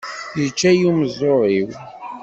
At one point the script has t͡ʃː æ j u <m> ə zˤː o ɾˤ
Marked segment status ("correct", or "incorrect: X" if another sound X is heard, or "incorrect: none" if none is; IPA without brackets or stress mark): correct